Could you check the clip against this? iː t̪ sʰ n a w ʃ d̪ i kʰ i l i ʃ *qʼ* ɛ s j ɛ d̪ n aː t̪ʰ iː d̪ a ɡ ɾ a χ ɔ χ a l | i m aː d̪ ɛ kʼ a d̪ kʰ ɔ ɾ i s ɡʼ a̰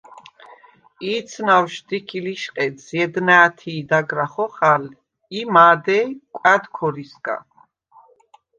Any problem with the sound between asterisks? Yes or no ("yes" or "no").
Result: no